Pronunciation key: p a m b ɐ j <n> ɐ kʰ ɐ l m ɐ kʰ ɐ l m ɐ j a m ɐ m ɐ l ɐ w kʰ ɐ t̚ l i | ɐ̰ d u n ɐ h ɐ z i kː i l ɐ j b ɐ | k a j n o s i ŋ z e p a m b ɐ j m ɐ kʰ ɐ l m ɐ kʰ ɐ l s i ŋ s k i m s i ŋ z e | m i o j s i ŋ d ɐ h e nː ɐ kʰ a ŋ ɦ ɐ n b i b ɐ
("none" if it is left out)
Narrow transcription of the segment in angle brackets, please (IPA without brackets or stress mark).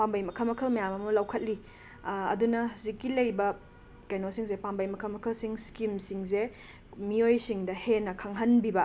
m